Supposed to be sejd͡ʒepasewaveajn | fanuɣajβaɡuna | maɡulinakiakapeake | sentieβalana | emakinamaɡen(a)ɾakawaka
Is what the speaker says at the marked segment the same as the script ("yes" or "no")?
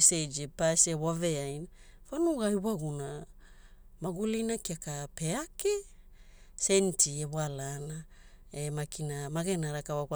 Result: yes